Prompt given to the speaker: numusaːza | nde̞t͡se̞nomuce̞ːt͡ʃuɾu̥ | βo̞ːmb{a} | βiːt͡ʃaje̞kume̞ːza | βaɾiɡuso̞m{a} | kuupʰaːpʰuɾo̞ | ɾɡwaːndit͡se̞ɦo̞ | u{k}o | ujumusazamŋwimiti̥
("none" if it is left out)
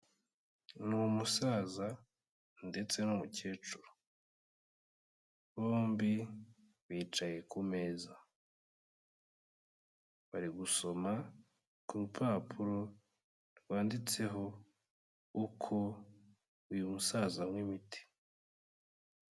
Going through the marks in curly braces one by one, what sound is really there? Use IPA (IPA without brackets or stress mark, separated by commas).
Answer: i, a, kʰ